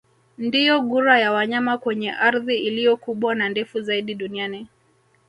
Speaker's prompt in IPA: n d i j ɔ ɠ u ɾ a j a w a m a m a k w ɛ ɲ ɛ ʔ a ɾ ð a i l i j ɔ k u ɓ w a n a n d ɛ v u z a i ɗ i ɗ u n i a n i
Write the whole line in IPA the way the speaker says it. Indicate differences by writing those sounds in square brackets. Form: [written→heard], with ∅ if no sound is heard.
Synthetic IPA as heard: n d i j ɔ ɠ u ɾ a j a w a [m→ɲ] a m a k w ɛ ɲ ɛ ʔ a ɾ ð [a→i] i l i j ɔ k u ɓ w a n a n d ɛ [v→f] u z a i ɗ i ɗ u n i a n i